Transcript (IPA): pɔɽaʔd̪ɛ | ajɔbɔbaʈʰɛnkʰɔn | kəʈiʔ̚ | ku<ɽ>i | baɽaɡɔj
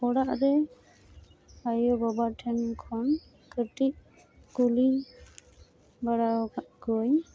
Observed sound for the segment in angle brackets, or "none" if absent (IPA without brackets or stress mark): l